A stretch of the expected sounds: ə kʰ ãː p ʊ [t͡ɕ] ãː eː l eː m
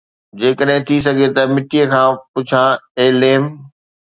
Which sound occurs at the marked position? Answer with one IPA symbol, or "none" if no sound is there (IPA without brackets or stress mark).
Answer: t͡ɕʰ